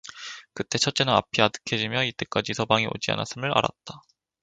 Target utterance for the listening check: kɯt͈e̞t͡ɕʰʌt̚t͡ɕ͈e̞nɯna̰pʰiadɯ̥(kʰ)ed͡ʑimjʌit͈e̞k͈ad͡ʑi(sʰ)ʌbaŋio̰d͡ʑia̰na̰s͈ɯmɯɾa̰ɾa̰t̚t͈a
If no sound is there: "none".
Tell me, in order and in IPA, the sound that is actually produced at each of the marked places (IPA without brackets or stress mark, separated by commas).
kʰ, sʰ